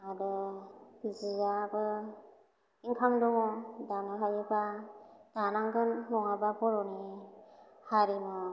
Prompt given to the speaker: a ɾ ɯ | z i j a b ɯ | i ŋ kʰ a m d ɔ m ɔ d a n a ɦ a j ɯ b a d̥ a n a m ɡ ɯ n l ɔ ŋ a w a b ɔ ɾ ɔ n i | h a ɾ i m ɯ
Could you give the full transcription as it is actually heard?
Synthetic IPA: a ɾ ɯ | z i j a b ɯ | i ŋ kʰ a m d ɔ ŋ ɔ d a n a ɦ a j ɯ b a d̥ a n a ŋ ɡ ɯ n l ɔ ŋ a b a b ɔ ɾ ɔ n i | h a ɾ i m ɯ